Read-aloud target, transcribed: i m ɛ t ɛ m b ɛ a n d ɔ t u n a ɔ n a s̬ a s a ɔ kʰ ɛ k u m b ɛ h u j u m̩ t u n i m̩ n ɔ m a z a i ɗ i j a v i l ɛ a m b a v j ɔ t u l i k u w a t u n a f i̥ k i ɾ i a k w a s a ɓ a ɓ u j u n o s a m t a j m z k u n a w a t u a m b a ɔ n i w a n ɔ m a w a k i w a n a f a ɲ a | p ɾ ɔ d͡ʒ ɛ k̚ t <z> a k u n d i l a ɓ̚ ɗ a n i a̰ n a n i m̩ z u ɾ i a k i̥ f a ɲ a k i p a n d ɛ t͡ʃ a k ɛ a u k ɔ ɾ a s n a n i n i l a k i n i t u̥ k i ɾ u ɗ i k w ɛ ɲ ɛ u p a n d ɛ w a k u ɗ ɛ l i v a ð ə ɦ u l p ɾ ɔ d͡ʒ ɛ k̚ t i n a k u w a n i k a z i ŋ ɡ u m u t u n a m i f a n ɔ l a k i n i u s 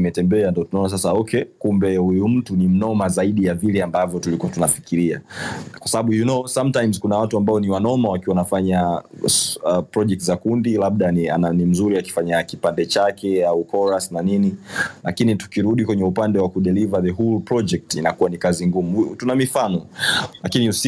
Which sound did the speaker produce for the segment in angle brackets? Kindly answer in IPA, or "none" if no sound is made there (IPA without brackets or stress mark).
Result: z